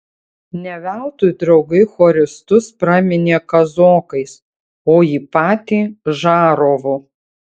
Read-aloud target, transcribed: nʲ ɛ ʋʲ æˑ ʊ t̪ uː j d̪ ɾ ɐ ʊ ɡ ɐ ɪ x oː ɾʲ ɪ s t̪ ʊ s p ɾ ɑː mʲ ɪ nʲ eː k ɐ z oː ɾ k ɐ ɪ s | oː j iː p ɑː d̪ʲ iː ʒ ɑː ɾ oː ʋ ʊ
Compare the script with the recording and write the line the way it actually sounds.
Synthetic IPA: nʲ ɛ ʋʲ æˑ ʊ t̪ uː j d̪ ɾ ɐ ʊ ɡ ɐ ɪ x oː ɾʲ ɪ s t̪ ʊ s p ɾ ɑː mʲ ɪ nʲ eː k ɐ z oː k ɐ ɪ s | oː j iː p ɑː t̪ʲ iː ʒ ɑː ɾ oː ʋ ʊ